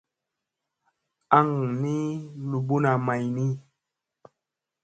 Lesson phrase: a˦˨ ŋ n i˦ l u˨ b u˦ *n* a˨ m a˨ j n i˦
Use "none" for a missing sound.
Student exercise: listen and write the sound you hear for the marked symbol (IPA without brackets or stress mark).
n